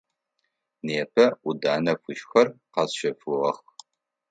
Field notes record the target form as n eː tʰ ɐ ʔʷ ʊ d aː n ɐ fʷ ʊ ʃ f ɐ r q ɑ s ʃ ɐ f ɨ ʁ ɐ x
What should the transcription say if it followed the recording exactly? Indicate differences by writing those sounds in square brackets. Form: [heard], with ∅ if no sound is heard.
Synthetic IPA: n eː [pʰ] ɐ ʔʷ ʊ d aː n ɐ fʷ ʊ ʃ [x] ɐ r q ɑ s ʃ ɐ f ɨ ʁ ɐ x